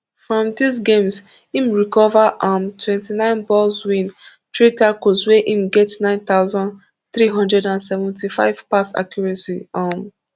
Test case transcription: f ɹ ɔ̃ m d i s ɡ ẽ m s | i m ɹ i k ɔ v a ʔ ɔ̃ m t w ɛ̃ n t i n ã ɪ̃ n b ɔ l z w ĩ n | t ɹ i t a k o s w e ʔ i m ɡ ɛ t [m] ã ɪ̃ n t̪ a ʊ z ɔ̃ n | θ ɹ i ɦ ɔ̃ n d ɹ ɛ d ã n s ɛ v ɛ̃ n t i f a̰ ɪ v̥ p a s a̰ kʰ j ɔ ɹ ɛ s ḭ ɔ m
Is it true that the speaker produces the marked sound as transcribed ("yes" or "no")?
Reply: no